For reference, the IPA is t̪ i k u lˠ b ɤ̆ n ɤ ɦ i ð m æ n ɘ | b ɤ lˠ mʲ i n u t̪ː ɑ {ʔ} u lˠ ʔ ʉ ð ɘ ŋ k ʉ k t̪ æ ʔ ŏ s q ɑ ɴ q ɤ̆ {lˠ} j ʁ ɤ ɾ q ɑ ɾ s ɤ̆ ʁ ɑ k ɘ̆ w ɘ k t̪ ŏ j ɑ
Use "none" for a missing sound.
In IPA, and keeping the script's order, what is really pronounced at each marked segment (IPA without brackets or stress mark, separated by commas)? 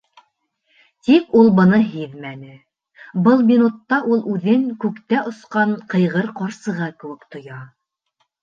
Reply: ʔ, none